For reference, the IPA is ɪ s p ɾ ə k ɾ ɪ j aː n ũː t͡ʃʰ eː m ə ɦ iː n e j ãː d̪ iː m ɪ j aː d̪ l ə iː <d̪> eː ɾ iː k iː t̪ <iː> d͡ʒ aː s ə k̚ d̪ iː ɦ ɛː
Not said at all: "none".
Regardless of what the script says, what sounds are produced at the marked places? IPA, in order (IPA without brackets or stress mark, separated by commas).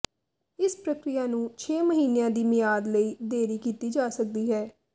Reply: d̪, iː